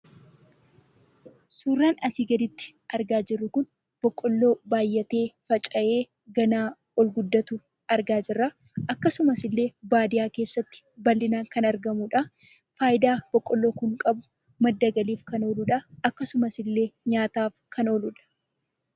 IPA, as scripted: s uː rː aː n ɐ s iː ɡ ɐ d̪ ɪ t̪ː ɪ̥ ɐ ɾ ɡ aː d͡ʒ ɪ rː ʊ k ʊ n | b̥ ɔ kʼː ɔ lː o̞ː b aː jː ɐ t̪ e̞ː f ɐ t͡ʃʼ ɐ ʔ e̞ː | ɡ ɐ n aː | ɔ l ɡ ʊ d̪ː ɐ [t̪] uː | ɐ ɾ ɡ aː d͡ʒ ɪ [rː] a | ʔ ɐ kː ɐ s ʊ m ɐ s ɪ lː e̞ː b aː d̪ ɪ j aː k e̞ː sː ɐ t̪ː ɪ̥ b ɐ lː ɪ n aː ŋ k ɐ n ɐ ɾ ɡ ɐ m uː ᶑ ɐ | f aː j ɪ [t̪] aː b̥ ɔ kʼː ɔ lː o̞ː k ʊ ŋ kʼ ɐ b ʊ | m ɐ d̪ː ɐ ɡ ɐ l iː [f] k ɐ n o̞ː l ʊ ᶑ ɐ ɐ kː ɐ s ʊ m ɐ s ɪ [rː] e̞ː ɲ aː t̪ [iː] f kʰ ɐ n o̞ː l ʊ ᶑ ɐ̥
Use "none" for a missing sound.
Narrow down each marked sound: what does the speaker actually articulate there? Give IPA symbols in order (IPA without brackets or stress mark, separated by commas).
t̪, rː, d̪, f, lː, aː